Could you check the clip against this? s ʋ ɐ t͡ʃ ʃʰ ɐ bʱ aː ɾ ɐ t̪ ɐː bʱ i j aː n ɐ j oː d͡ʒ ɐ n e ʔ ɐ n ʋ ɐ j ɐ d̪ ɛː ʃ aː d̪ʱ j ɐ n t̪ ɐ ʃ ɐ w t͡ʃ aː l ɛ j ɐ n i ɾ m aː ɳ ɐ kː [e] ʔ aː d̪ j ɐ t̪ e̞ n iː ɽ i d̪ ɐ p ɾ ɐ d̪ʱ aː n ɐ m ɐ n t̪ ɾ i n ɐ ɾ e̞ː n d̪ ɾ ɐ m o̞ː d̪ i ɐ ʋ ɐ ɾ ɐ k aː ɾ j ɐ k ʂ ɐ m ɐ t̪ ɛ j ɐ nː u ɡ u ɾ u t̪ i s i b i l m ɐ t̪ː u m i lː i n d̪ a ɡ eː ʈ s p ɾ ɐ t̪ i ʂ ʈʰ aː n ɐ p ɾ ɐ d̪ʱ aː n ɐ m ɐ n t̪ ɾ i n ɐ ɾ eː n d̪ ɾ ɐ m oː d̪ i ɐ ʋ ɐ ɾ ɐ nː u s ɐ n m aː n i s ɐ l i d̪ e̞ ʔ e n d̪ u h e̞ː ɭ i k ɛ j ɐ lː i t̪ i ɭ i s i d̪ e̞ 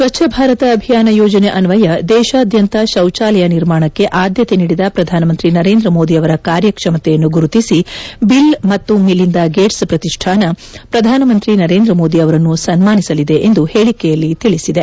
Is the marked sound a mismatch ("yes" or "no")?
no